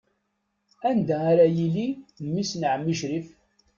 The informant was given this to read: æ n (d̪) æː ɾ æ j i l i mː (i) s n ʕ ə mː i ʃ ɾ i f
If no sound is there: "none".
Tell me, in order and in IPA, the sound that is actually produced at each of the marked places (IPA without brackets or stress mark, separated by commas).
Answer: d̪, i